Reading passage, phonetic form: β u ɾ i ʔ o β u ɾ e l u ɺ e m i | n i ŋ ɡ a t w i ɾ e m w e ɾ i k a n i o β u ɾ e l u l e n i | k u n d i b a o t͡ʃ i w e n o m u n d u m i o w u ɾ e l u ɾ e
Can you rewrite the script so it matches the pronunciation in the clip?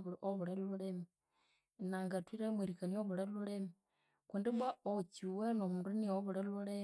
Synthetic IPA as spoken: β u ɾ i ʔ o β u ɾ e l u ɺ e m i | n a ŋ ɡ a t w i ɾ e m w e ɾ i k a n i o β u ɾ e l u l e m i | k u n d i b a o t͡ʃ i w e n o m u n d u n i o β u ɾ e l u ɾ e